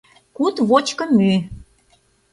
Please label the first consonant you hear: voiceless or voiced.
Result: voiceless